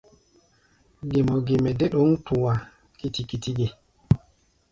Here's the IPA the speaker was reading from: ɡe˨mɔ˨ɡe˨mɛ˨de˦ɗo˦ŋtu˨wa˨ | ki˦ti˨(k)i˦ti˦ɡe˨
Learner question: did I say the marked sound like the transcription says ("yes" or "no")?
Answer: yes